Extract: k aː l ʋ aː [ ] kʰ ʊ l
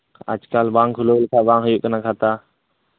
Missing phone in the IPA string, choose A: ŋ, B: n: A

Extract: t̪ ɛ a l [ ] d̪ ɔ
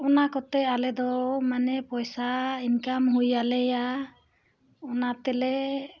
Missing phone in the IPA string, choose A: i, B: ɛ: B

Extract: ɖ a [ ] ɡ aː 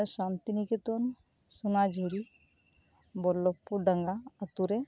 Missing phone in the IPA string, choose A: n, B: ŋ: B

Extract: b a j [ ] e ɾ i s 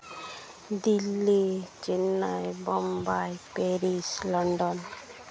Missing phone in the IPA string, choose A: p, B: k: A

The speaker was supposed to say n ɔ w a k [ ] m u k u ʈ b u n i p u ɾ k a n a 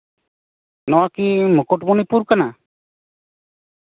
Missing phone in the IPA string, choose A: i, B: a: A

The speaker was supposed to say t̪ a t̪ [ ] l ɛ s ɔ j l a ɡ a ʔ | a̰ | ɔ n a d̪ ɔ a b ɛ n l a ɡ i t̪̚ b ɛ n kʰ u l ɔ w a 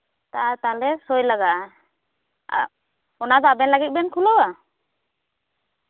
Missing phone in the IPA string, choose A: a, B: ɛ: A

